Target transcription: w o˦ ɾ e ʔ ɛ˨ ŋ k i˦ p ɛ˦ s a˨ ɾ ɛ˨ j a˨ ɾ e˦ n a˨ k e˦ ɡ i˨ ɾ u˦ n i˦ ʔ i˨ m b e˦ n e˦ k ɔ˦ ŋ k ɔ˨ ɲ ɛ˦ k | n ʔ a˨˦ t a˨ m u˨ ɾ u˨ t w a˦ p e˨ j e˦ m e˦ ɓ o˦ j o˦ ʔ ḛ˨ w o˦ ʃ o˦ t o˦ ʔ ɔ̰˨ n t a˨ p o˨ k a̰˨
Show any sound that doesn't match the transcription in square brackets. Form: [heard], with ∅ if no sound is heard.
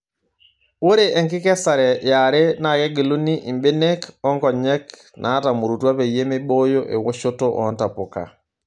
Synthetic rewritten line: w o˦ ɾ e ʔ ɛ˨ ŋ k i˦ [k] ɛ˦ s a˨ ɾ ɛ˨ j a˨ ɾ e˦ n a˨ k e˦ ɡ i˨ [l] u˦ n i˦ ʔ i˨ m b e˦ n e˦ k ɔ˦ ŋ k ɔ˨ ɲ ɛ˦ k | n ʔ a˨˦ t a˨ m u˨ ɾ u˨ t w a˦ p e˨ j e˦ m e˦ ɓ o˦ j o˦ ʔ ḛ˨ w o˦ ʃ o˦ t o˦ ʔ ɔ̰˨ n t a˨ p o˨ k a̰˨